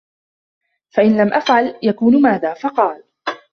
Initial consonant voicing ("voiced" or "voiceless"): voiceless